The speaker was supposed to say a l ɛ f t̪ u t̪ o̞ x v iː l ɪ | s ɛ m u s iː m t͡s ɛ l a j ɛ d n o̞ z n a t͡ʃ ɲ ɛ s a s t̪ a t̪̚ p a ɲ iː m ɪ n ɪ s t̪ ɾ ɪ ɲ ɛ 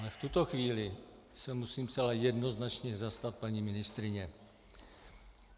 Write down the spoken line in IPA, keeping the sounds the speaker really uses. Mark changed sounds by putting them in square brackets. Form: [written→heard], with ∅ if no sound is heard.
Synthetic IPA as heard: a l ɛ f t̪ u t̪ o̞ x v iː l ɪ | s ɛ m u s iː m t͡s ɛ l a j ɛ d n o̞ z n a t͡ʃ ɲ ɛ [s→z] a s t̪ a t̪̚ p a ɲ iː m ɪ n ɪ s t̪ ɾ ɪ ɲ ɛ